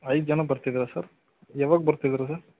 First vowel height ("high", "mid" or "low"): low